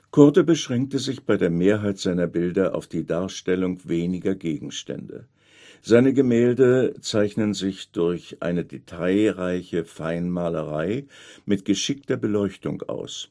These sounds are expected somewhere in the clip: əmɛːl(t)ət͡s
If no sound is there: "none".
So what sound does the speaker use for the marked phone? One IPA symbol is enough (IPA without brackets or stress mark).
d